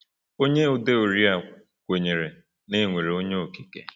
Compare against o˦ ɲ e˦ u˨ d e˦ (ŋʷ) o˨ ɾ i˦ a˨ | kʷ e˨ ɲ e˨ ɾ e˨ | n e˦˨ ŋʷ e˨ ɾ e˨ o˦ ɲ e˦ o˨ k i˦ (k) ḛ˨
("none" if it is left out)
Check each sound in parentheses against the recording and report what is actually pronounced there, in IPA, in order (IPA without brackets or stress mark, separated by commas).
none, k